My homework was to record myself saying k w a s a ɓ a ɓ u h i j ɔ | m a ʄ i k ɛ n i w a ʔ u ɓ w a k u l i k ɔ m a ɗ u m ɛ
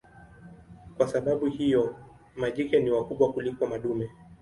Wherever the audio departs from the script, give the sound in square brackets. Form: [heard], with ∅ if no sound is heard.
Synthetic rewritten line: k w a s a ɓ a ɓ u h i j ɔ | m a ʄ i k ɛ n i w a [k] u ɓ w a k u l i k ɔ m a ɗ u m ɛ